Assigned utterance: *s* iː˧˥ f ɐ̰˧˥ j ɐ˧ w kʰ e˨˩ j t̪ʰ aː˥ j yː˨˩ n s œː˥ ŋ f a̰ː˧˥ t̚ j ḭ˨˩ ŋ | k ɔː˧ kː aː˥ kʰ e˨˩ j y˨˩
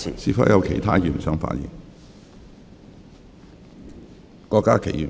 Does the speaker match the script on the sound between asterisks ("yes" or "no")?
yes